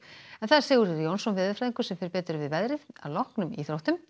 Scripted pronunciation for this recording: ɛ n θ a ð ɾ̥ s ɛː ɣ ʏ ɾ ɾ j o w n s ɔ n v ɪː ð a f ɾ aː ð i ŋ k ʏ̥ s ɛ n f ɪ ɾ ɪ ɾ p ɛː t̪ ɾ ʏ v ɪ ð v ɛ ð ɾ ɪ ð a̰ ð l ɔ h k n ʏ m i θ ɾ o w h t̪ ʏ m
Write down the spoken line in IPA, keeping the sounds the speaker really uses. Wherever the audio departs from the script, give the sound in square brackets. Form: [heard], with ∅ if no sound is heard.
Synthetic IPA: ɛ n θ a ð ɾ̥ s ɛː ɣ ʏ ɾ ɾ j o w n s ɔ n v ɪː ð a f ɾ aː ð i ŋ k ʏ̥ s ɛ [m] f ɪ ɾ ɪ ɾ p ɛː t̪ ɾ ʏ v ɪ ð v ɛ ð ɾ ɪ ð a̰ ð l ɔ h k n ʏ m i θ ɾ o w h t̪ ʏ m